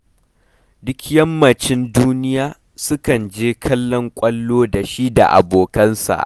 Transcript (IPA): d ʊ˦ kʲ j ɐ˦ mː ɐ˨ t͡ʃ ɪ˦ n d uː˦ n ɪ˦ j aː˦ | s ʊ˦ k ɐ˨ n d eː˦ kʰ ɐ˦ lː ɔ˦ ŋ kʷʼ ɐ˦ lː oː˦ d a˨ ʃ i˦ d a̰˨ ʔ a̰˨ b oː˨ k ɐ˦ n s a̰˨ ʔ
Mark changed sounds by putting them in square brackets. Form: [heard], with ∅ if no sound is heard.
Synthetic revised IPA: d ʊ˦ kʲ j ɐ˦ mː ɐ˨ t͡ʃ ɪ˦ n d uː˦ n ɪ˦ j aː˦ | s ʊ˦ k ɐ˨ n [d͡ʒ] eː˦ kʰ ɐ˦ lː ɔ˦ ŋ kʷʼ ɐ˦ lː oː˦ d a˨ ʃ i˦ d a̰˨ ʔ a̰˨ b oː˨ k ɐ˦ n s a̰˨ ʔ